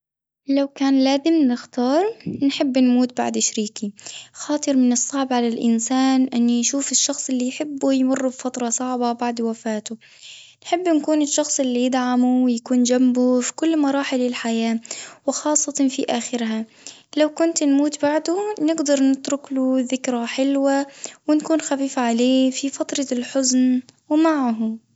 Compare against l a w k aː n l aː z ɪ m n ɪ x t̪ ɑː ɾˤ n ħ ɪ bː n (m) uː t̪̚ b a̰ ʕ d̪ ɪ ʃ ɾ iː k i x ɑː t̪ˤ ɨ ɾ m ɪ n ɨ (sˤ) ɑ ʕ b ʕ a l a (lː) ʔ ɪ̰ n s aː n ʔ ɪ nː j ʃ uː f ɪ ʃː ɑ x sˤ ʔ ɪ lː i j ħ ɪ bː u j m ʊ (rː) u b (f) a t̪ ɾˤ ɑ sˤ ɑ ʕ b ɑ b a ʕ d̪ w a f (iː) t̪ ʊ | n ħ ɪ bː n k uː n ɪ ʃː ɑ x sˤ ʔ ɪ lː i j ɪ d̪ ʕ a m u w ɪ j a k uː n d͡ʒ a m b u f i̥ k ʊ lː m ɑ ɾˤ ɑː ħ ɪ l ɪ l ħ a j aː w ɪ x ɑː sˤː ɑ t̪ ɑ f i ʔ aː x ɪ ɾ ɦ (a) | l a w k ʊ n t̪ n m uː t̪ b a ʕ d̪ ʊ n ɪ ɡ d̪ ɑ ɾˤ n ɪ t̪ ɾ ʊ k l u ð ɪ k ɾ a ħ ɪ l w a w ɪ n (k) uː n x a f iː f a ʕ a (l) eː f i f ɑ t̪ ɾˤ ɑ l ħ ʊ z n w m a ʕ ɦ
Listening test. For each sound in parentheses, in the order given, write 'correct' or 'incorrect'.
correct, incorrect: sˤː, incorrect: l, correct, correct, incorrect: aː, correct, correct, correct

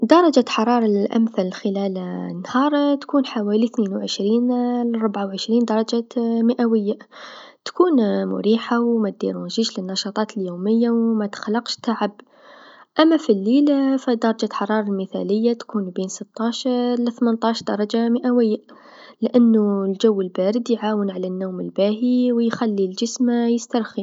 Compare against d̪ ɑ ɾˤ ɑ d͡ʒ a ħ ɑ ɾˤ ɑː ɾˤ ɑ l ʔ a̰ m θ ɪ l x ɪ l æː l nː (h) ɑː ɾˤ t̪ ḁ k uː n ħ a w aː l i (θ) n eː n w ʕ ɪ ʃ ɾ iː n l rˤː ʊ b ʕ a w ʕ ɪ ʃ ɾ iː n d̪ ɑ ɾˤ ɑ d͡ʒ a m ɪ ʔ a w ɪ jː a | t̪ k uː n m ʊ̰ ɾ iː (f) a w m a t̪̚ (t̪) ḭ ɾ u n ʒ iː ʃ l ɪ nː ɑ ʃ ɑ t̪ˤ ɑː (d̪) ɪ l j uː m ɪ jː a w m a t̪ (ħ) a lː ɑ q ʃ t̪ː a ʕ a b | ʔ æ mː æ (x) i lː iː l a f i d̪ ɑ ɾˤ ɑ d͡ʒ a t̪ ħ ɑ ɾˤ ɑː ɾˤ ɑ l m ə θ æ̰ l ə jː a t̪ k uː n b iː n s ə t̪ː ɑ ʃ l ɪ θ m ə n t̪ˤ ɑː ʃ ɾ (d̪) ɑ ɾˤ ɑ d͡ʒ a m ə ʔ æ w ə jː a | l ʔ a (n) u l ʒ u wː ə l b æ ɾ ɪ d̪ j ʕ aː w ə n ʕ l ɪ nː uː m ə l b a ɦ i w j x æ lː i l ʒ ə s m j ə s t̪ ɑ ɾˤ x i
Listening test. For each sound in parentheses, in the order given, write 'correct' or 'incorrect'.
correct, correct, incorrect: ħ, incorrect: d̪, incorrect: t̪, incorrect: x, incorrect: f, correct, incorrect: nː

